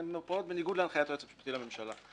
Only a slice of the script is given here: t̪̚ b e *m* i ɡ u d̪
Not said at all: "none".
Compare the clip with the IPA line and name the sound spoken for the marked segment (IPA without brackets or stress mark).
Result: n